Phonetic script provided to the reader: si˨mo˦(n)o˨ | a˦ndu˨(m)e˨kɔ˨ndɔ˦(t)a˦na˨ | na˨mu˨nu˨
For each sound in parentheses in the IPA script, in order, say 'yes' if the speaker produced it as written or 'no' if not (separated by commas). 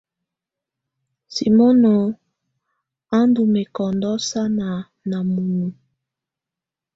yes, yes, no